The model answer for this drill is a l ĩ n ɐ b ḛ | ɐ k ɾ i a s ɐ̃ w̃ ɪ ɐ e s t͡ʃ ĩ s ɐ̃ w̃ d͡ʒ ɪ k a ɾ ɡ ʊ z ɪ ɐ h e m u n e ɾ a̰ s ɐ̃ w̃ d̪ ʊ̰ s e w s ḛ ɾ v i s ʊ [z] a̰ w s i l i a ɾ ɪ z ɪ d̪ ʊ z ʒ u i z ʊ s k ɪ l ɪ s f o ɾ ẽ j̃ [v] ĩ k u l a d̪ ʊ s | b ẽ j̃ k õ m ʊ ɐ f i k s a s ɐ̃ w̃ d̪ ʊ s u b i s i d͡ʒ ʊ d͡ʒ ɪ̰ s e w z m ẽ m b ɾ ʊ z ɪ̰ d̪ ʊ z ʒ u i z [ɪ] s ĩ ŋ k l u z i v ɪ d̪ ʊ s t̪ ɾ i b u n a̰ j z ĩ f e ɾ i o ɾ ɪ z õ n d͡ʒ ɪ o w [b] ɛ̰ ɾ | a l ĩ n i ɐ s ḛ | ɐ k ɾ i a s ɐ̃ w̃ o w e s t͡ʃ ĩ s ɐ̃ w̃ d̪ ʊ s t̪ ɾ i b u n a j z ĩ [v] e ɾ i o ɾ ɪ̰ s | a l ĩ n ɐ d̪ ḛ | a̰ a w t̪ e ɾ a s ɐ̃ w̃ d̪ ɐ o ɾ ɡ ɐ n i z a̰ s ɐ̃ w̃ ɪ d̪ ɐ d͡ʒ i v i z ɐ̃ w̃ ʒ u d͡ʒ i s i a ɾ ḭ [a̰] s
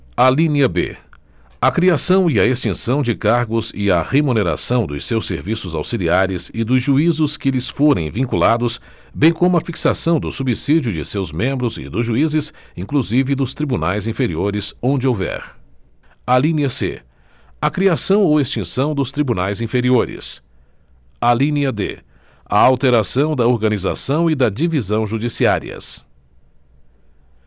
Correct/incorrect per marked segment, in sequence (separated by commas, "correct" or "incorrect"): correct, correct, correct, incorrect, incorrect, incorrect